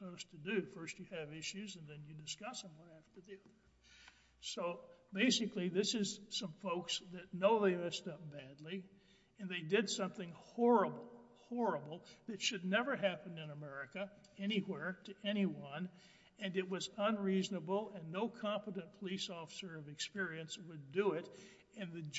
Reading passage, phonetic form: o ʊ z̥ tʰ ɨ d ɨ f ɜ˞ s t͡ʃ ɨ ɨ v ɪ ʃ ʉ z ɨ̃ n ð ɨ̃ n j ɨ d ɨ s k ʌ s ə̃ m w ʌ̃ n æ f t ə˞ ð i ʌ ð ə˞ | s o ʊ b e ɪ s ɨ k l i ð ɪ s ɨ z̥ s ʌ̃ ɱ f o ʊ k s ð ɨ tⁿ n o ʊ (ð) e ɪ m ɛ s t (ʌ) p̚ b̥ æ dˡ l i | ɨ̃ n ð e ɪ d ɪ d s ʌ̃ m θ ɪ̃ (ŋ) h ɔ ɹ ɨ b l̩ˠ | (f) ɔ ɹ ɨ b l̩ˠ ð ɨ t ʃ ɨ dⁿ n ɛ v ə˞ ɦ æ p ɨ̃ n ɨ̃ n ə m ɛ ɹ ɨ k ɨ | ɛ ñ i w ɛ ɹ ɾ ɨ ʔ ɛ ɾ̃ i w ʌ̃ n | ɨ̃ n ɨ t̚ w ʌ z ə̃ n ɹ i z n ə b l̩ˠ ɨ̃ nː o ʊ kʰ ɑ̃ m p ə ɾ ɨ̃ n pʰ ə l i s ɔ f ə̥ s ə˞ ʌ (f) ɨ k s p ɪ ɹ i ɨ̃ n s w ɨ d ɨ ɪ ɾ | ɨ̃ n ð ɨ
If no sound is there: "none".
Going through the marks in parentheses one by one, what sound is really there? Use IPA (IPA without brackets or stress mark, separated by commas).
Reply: ð, ʌ, ŋ, h, v